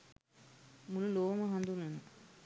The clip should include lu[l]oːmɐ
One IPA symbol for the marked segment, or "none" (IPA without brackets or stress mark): l